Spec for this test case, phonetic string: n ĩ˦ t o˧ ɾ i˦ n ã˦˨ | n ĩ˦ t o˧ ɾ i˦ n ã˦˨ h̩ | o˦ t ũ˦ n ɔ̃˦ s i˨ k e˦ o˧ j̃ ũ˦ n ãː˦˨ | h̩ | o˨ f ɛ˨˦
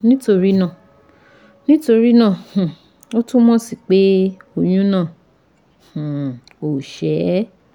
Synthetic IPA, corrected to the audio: n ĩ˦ t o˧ ɾ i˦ n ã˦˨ | n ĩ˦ t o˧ ɾ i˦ n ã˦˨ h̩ | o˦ t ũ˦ m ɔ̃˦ s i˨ k͡p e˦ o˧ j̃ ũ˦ n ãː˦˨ | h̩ | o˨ ʃ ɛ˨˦